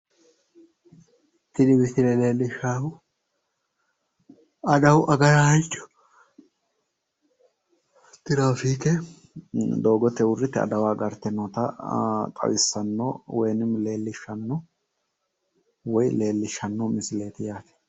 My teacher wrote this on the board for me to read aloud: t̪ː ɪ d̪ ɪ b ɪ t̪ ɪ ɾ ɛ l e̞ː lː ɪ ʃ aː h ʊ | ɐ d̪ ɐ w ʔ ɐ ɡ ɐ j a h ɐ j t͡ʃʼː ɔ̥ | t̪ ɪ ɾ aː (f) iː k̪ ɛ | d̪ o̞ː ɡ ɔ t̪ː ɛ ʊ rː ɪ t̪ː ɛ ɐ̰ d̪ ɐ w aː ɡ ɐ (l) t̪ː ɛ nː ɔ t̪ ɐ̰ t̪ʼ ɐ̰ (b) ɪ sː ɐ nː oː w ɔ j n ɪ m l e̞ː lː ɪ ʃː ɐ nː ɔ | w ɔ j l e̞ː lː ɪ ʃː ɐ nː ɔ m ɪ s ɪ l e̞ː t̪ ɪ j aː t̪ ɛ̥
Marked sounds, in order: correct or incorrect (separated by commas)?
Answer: correct, incorrect, incorrect